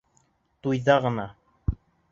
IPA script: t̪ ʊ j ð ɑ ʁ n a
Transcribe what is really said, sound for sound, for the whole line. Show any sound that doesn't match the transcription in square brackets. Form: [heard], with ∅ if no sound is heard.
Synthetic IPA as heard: t̪ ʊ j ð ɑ ʁ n a